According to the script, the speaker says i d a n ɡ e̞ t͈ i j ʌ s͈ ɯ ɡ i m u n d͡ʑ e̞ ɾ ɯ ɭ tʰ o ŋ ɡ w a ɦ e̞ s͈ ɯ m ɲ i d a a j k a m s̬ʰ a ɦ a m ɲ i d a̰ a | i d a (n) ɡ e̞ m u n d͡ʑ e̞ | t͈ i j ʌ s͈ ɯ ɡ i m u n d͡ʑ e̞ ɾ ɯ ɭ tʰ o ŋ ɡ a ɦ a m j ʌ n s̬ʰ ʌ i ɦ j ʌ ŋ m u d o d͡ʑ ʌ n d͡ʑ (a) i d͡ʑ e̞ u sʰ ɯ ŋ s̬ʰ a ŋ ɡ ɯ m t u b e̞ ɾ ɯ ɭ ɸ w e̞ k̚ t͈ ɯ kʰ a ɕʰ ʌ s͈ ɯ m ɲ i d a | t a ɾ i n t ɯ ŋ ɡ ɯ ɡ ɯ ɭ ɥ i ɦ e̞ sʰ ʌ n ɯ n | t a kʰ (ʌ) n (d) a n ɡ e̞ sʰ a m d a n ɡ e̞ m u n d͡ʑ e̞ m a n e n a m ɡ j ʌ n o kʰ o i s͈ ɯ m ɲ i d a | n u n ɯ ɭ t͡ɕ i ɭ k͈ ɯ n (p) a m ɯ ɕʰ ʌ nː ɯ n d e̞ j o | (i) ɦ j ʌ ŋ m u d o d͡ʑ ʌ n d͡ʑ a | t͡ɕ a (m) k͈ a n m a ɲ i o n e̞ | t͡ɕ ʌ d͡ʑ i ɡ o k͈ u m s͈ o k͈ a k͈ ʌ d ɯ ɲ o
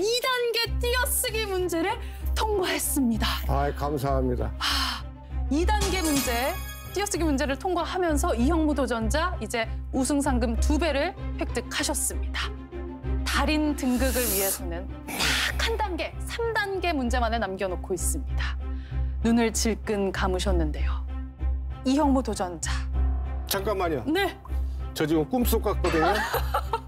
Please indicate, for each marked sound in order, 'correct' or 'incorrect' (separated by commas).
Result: correct, correct, incorrect, correct, incorrect, correct, incorrect